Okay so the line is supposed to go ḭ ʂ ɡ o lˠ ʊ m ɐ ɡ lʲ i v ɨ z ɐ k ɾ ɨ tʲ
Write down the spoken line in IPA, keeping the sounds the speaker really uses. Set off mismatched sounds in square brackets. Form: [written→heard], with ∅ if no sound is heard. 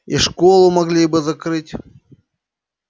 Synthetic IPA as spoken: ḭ ʂ [ɡ→k] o lˠ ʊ m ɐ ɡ lʲ i [v→b] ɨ z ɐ k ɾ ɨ tʲ